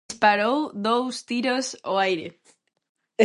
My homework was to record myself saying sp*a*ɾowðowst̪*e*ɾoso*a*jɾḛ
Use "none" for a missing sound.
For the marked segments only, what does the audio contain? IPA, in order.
a, i, a

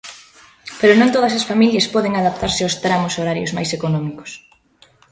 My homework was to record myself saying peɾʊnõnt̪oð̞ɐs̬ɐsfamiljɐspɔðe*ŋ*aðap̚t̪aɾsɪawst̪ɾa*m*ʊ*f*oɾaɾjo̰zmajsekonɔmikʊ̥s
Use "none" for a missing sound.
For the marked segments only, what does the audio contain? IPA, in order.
ŋ, m, s

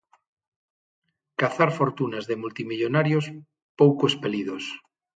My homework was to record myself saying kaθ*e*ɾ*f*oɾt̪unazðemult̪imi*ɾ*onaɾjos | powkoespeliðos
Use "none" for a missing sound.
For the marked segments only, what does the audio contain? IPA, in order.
a, f, ʎ

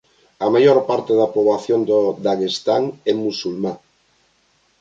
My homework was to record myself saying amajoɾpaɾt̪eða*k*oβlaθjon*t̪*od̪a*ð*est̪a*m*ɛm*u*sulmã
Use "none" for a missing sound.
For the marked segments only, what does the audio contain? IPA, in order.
p, d̪, ɣ, ŋ, u

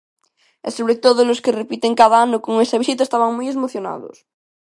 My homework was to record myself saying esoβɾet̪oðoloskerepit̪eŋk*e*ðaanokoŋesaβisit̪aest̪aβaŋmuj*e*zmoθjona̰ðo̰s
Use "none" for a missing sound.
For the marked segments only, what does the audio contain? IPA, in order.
a, e

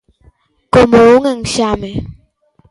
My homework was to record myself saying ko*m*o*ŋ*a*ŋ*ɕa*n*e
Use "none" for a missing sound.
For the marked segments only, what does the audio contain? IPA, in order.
m, ŋ, ŋ, m

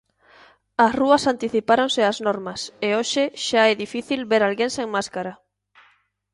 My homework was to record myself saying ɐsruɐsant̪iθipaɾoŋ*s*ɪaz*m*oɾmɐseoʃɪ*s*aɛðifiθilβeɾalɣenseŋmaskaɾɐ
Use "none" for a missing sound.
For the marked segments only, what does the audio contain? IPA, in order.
s, n, ʃ

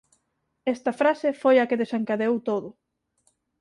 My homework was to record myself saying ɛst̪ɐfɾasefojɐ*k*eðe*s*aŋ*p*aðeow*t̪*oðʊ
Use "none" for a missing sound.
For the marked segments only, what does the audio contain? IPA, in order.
k, s, k, t̪

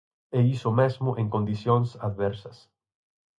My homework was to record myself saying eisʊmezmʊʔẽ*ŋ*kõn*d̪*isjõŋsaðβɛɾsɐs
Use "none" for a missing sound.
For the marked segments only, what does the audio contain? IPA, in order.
ŋ, d̪

